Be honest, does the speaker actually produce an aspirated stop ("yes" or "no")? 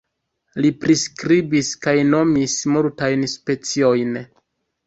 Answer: no